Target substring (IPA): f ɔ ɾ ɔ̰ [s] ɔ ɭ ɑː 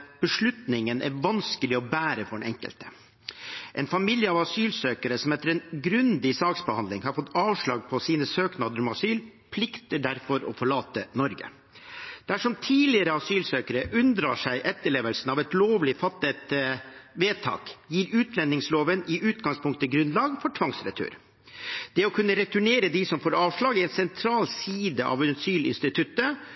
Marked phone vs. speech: incorrect: f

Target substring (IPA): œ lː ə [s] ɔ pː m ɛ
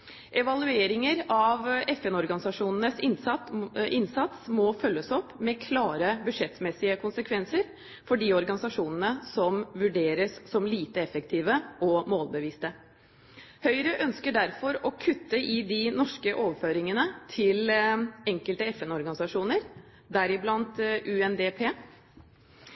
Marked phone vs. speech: correct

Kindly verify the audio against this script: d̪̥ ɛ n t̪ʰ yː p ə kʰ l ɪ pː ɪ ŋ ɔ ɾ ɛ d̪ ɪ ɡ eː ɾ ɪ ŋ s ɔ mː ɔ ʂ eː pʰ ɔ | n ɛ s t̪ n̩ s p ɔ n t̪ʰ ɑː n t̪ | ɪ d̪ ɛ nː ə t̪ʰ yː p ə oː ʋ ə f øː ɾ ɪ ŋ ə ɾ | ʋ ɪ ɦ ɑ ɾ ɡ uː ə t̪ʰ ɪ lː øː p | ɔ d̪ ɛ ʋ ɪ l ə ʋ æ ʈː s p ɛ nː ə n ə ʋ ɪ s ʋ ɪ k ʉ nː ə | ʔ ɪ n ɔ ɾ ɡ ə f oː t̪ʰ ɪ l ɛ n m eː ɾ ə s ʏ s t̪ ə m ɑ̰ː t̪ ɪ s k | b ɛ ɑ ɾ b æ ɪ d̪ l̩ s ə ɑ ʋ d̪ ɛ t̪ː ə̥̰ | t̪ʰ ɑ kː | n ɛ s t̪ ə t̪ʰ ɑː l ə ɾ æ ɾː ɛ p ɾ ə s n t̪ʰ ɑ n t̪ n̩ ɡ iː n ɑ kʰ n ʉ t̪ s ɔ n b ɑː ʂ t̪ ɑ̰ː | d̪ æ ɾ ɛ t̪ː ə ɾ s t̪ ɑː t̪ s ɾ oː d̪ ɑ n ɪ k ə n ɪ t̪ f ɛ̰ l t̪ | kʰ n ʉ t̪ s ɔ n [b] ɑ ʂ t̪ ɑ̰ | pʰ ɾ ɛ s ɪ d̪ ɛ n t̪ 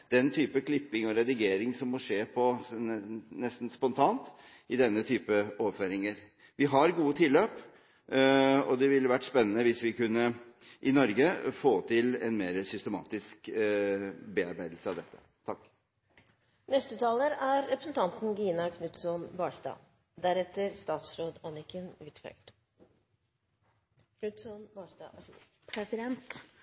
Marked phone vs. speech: correct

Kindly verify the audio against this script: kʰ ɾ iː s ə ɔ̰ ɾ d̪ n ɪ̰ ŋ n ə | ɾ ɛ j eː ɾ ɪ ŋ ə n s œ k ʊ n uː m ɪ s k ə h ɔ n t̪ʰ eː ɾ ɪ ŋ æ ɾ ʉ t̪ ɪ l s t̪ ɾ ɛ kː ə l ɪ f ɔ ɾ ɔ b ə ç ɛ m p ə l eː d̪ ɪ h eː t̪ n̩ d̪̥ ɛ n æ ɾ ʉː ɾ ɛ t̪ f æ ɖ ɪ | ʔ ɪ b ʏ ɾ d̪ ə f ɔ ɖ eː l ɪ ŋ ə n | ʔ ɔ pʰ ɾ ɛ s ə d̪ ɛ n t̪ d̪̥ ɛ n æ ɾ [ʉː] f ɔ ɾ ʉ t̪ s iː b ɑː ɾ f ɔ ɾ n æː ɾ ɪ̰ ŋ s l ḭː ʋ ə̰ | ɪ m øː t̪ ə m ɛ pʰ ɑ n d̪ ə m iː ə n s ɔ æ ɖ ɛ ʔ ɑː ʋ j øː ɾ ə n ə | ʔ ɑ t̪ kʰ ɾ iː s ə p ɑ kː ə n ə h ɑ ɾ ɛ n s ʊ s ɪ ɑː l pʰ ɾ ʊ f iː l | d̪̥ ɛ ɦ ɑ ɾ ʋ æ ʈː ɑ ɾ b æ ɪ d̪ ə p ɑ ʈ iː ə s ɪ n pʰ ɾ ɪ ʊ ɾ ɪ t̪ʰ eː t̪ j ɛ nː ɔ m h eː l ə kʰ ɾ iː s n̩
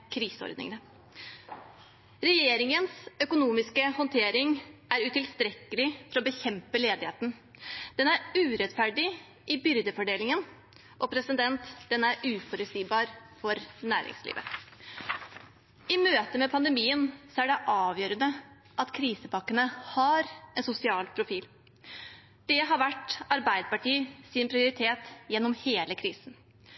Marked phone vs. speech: correct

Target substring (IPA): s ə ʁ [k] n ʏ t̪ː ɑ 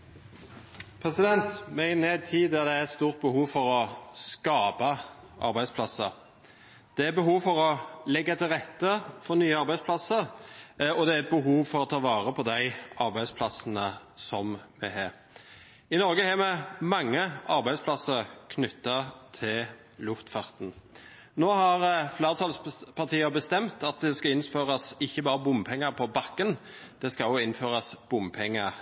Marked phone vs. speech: incorrect: kʰ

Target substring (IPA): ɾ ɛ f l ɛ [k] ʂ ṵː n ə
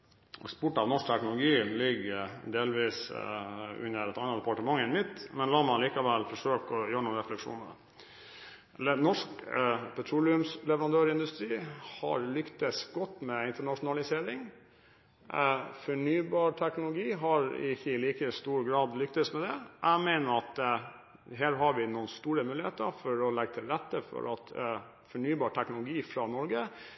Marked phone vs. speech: correct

